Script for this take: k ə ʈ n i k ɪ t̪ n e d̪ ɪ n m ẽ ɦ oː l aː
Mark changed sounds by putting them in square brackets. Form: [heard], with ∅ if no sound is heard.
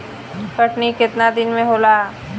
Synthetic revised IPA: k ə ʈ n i k ɪ t̪ n [a] d̪ ɪ n m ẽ ɦ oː l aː